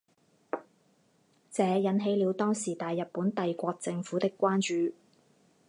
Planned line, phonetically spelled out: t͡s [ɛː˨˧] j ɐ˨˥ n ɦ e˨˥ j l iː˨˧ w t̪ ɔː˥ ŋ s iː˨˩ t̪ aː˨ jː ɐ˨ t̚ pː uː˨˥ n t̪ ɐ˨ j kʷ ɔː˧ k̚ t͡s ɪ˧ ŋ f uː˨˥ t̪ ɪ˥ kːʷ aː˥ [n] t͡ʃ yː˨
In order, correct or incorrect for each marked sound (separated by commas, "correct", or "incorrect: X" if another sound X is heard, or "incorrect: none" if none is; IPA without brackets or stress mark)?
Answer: correct, correct